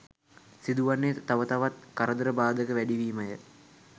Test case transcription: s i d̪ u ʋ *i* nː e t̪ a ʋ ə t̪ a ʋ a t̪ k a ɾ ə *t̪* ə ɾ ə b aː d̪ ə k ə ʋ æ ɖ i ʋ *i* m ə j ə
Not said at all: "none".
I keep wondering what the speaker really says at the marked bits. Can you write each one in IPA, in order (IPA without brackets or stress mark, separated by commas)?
a, d̪, iː